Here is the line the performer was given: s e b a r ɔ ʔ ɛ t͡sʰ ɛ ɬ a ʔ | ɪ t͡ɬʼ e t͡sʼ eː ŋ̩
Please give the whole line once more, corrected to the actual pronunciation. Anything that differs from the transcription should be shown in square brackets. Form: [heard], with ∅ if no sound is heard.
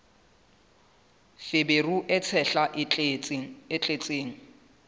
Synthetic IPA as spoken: [f] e b [e] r [u] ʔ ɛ t͡sʰ ɛ ɬ a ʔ | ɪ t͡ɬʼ e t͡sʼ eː ŋ̩